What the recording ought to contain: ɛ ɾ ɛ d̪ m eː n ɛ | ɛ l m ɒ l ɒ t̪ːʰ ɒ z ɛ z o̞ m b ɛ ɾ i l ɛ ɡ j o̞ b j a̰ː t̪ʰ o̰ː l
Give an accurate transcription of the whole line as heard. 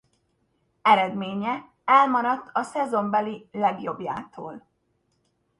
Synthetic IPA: ɛ ɾ ɛ d̪ m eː ɲ ɛ | ɛ l m ɒ ɾ ɒ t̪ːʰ ɒ s ɛ z o̞ m b ɛ l i l ɛ ɡ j o̞ b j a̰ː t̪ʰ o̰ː l